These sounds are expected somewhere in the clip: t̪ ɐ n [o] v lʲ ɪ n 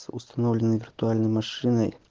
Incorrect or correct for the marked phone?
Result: correct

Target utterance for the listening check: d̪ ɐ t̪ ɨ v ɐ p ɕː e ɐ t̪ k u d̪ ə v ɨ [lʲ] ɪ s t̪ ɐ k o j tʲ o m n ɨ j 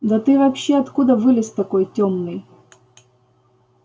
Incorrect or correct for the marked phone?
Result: correct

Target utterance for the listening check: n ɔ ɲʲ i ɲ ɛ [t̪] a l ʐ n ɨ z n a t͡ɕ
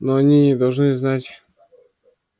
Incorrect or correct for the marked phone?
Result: incorrect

